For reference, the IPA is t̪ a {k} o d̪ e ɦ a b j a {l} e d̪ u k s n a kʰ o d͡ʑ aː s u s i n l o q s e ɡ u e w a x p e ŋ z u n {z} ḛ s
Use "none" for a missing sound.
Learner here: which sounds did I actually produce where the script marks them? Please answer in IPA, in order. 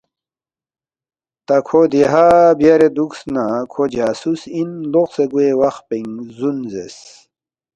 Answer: kʰ, ɾ, z

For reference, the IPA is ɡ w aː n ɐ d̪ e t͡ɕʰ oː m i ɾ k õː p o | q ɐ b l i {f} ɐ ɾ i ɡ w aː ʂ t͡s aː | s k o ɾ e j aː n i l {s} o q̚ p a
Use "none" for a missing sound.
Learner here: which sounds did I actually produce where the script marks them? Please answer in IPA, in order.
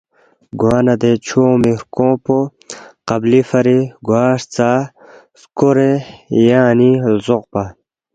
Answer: f, z

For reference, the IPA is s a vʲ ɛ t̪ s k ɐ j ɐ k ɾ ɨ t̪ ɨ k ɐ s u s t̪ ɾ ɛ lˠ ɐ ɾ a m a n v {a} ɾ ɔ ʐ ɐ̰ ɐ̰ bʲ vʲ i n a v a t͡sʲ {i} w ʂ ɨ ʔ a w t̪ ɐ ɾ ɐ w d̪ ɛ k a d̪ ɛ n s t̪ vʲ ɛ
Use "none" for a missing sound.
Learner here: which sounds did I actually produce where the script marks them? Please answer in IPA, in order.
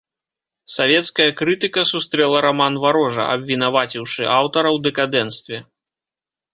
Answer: a, i

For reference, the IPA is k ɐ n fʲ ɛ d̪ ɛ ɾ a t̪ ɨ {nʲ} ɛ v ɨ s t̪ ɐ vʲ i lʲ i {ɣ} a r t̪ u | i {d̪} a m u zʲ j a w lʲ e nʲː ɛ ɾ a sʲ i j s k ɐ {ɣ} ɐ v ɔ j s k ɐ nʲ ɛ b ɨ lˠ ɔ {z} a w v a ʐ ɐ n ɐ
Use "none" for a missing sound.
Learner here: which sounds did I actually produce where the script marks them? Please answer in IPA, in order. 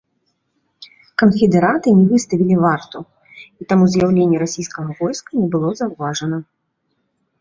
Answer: nʲ, v, t̪, ɣ, z

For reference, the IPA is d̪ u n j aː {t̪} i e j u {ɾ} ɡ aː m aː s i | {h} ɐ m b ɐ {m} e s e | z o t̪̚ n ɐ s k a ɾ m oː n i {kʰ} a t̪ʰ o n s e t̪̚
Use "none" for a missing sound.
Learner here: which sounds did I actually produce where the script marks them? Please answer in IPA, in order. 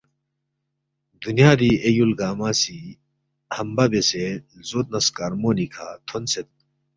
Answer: d̪, l, h, b, kʰ

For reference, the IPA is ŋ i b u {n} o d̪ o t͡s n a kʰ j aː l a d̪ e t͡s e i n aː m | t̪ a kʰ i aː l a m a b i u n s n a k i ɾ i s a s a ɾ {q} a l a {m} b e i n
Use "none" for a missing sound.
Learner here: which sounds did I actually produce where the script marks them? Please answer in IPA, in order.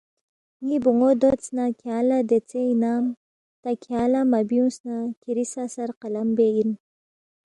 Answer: ŋ, q, m

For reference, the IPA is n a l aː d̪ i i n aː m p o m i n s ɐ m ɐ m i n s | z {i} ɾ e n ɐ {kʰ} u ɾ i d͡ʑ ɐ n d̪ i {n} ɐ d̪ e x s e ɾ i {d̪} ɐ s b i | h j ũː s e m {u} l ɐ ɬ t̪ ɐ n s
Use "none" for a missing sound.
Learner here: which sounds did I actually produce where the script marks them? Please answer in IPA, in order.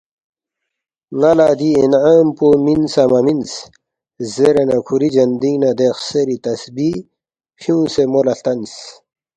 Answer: e, kʰ, n, t̪, o

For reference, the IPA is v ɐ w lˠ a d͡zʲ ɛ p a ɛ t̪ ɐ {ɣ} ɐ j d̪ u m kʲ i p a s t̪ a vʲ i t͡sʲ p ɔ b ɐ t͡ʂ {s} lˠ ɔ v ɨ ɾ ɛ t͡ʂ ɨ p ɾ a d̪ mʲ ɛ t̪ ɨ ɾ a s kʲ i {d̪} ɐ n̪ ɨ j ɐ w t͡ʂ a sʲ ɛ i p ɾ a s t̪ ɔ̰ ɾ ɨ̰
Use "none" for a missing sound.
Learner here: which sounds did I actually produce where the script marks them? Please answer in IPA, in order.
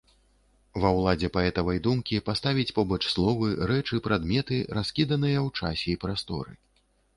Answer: v, s, d̪

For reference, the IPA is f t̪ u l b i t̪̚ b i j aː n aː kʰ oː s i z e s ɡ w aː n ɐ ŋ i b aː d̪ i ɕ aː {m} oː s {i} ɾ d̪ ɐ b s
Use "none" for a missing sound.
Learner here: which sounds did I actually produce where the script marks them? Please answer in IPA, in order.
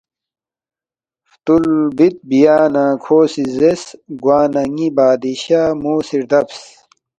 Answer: m, i

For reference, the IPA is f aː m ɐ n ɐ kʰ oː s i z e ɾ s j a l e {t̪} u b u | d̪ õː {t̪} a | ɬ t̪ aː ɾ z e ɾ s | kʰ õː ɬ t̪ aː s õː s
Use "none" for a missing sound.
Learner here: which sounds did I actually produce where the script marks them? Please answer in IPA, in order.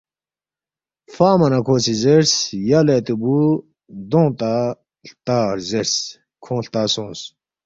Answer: t̪, t̪

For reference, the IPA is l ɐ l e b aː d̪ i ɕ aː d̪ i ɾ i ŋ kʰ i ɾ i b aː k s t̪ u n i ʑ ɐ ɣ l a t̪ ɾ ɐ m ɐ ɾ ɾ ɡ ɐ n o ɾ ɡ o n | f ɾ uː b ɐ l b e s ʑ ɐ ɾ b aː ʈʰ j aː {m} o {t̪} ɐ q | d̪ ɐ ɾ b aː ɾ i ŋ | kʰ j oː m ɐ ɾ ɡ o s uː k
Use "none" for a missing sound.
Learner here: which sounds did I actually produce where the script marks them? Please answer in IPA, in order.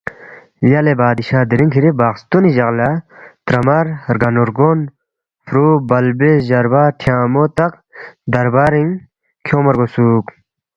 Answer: m, t̪

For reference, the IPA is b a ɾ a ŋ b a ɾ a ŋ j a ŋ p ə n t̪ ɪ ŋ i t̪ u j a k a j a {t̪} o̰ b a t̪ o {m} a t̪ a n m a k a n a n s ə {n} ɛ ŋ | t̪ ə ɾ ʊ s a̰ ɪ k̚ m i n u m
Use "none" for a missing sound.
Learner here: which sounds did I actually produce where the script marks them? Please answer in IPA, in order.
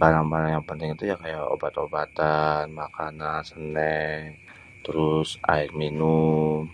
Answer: none, b, n

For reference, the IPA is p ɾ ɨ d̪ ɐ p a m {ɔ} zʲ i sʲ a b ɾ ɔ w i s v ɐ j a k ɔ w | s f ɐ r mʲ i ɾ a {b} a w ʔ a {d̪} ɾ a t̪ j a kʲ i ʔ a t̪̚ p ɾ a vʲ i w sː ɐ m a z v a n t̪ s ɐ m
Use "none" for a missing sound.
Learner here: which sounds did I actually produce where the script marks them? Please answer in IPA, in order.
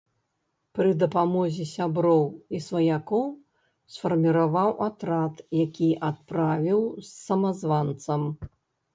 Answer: ɔ, v, t̪

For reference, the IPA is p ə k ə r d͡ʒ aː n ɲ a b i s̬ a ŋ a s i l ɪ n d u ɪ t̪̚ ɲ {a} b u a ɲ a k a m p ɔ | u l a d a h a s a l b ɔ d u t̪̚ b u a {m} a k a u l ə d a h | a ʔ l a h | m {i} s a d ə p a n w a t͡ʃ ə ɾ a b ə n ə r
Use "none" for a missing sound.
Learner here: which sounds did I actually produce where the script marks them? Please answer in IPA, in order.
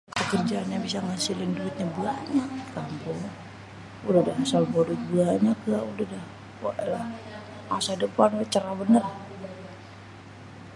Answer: a, ɲ, a

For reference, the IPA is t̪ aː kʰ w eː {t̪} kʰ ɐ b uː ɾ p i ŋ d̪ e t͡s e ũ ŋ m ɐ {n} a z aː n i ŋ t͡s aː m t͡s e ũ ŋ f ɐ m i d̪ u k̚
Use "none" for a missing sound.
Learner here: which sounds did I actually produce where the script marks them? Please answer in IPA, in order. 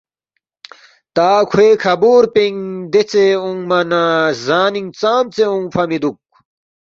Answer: none, n

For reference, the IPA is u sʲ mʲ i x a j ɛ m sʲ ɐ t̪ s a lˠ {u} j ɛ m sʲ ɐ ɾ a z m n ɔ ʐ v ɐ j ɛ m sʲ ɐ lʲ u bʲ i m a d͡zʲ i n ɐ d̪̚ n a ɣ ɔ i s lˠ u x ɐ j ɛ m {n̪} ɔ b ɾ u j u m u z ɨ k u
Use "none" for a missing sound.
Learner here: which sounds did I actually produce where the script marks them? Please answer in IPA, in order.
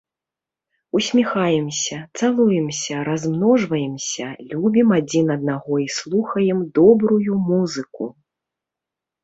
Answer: u, d̪

